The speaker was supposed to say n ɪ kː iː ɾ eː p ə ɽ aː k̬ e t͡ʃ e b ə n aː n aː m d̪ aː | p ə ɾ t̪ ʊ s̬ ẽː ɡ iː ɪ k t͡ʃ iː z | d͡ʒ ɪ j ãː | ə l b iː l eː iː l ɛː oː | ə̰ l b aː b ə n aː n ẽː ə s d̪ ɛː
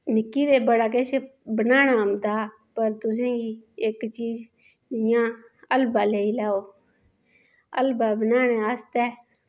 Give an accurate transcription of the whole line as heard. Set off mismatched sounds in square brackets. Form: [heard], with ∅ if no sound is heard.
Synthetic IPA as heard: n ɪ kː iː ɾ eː [b] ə ɽ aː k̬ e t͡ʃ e b ə n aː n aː m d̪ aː | p ə ɾ t̪ ʊ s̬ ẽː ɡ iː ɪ k t͡ʃ iː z | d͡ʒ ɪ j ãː | ə l b [aː] l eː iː l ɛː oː | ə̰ l b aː b ə n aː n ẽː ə s [t̪] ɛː